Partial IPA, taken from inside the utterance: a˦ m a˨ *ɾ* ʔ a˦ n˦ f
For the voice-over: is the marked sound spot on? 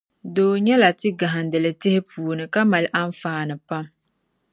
no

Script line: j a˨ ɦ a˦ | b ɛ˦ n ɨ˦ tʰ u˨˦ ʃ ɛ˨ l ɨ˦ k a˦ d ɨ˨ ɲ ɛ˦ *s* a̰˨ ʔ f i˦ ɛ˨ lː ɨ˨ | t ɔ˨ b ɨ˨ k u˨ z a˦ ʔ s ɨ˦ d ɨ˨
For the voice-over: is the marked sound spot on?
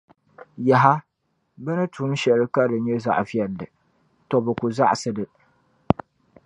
no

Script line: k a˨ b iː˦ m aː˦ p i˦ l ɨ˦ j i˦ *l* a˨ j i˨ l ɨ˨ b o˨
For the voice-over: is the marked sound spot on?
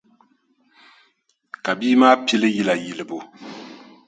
yes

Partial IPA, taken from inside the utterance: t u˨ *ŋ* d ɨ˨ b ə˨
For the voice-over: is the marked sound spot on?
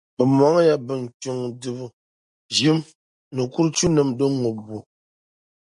yes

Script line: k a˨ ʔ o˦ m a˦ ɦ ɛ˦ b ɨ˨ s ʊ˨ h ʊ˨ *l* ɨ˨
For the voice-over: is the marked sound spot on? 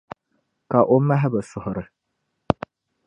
no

